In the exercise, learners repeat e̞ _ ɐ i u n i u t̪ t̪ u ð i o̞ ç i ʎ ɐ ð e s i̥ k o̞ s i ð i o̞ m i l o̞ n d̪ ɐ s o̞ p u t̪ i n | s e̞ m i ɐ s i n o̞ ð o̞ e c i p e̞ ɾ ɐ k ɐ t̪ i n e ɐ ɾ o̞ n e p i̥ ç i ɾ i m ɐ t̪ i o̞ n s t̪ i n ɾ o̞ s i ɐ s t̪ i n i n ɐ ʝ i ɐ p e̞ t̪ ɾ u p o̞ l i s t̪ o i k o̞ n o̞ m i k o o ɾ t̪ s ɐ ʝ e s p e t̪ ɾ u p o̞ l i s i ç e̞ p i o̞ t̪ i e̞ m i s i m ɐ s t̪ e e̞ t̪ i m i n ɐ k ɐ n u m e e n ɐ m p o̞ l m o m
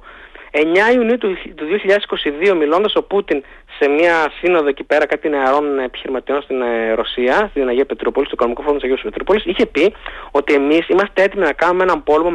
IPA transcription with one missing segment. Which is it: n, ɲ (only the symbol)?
ɲ